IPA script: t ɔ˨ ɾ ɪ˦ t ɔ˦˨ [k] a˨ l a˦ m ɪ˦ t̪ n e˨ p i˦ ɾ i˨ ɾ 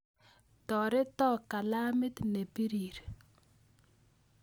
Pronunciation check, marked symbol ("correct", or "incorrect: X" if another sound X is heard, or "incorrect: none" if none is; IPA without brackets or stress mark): correct